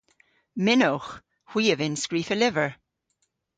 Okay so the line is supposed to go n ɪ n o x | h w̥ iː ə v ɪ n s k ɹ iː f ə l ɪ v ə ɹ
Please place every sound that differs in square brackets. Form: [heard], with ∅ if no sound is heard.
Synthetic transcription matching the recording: [m] ɪ n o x | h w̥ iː ə v ɪ n s k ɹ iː f ə l ɪ v ə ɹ